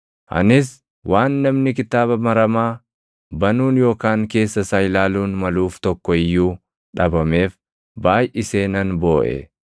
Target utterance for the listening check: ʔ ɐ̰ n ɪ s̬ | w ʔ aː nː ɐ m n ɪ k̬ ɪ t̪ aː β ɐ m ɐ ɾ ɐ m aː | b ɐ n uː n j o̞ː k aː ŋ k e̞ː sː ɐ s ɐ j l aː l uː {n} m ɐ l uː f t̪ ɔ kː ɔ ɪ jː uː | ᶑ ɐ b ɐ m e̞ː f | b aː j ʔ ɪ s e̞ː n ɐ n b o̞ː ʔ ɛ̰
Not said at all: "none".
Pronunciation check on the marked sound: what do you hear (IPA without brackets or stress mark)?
n